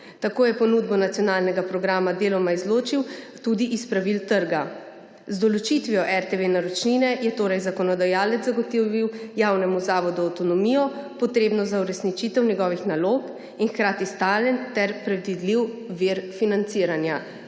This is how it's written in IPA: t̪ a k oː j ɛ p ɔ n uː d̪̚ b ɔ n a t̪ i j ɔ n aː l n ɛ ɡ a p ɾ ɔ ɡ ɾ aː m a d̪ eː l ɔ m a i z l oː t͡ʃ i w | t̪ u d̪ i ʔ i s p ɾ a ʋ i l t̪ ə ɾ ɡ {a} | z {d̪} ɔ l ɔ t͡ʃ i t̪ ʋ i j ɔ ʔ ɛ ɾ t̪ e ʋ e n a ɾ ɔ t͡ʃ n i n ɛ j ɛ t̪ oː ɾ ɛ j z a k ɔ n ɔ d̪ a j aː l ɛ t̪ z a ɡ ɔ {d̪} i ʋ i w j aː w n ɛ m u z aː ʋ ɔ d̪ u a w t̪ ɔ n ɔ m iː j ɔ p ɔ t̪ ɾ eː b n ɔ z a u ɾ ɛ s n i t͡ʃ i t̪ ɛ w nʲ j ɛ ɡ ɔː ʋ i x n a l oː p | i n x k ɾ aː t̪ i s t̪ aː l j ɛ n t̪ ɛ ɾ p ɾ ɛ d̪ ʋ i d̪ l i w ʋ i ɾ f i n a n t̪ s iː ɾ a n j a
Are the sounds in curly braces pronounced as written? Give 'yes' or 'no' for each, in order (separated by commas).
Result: yes, yes, no